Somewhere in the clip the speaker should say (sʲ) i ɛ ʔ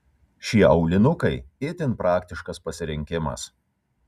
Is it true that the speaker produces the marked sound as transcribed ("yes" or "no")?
no